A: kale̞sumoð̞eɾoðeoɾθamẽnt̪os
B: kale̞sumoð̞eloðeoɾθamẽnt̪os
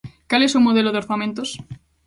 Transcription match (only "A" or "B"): B